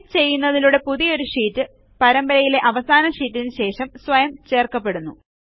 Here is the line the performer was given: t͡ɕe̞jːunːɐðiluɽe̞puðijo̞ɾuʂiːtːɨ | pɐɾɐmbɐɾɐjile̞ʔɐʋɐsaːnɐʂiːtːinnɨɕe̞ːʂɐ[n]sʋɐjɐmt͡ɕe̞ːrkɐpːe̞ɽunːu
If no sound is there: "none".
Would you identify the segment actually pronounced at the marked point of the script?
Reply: m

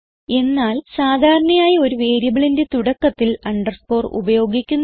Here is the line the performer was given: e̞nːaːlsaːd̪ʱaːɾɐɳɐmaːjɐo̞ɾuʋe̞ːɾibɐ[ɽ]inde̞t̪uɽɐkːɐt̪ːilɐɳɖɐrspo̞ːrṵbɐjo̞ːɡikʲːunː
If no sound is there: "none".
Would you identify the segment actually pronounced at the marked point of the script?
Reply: ɭ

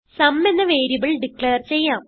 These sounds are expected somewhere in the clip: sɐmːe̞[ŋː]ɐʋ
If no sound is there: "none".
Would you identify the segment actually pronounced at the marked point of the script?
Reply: nː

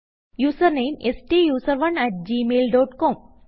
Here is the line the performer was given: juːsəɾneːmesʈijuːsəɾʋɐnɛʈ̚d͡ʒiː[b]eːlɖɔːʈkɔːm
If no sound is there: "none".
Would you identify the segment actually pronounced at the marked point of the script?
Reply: m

